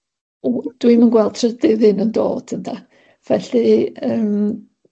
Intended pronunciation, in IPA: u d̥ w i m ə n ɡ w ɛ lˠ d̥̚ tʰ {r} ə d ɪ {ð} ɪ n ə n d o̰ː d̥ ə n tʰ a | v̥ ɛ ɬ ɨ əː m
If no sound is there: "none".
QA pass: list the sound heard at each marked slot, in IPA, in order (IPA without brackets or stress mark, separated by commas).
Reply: r, ð